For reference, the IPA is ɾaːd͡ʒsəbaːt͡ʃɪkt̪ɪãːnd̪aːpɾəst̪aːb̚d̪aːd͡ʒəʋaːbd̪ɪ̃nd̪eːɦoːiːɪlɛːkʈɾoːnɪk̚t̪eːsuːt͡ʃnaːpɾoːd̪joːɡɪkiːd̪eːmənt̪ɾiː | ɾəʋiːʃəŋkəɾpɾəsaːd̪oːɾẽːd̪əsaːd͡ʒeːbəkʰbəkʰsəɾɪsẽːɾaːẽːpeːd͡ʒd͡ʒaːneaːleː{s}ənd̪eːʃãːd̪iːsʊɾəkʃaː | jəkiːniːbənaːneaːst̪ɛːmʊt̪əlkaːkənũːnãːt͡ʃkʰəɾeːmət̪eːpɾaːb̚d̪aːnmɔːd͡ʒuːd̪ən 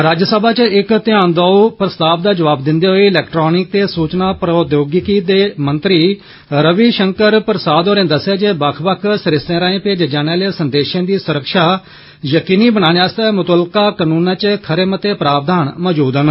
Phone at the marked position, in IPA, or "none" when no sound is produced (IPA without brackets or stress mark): s